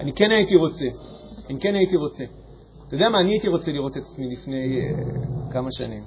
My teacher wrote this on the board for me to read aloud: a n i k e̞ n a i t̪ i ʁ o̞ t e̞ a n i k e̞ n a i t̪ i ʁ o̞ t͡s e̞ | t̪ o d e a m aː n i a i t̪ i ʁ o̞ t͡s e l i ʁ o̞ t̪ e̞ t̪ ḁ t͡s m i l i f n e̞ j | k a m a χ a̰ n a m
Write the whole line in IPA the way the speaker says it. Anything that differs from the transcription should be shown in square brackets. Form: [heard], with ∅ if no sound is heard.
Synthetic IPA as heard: a n i k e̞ n a i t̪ i ʁ o̞ [t͡s] e̞ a n i k e̞ n a i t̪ i ʁ o̞ t͡s e̞ | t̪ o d e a m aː n i a i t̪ i ʁ o̞ t͡s e l i ʁ o̞ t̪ e̞ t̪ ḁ t͡s m i l i f n e̞ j | k a m a [ʃ] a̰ n [i] m